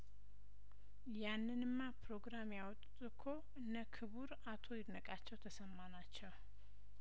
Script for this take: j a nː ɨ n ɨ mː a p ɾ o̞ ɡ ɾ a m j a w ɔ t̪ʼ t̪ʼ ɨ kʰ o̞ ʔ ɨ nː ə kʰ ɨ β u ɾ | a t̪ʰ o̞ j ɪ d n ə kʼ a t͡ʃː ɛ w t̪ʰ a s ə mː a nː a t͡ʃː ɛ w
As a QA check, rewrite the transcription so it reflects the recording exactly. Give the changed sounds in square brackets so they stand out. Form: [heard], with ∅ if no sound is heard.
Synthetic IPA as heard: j a nː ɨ n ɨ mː a p ɾ o̞ ɡ ɾ a m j a w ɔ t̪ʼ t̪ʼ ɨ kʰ o̞ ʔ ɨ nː ə kʰ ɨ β u ɾ | a t̪ʰ o̞ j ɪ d n ə kʼ a t͡ʃː ɛ w t̪ʰ [ə] s ə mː a [n] a t͡ʃː ɛ w